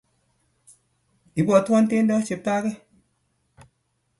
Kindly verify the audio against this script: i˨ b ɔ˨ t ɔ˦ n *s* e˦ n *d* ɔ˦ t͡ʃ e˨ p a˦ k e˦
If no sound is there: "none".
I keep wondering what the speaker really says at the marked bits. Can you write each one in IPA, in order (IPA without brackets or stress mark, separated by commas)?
t, d